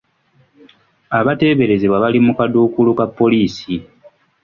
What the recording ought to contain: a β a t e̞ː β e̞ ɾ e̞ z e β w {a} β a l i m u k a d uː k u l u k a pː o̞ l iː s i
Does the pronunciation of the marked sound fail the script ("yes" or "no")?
no